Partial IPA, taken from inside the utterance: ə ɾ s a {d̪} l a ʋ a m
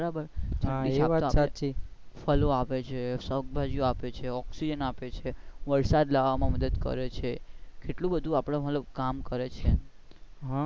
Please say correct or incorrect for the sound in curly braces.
correct